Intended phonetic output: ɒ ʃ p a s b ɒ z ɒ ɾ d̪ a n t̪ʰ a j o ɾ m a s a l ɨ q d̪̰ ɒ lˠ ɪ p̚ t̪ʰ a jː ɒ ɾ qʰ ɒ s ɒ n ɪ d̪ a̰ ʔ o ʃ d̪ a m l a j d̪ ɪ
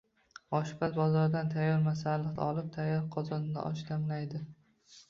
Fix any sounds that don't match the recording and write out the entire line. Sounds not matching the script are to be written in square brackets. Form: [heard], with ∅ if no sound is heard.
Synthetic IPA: ɒ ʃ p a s b ɒ z ɒ ɾ d̪ a n t̪ʰ a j [ɒ] ɾ m a s a l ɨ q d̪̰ ɒ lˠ ɪ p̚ t̪ʰ a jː ɒ ɾ qʰ ɒ [z] ɒ n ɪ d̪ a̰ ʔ [ɒ] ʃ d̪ a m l a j d̪ ɪ